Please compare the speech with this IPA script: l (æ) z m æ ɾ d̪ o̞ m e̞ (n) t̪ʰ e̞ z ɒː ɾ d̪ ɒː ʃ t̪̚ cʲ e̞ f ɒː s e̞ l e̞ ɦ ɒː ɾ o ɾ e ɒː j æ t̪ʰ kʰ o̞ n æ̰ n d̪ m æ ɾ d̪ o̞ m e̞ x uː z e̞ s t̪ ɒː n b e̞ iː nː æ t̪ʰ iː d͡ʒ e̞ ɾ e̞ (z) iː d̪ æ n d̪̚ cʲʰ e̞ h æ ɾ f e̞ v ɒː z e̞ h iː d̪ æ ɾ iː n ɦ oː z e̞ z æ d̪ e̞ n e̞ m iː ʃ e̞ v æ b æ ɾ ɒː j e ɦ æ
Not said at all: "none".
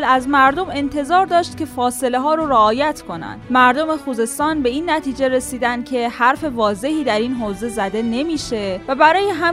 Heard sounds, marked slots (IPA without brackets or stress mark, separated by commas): æ, n, s